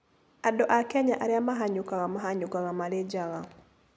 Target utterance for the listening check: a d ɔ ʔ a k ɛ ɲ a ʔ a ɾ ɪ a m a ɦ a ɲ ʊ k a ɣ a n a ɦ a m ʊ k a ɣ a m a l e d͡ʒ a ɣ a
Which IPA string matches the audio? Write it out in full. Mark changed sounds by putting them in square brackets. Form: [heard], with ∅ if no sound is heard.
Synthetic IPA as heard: a d ɔ ʔ a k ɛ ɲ a ʔ a ɾ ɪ a m a ɦ a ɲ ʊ k a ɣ a [m] a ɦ a [ɲ] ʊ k a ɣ a m a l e d͡ʒ a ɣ a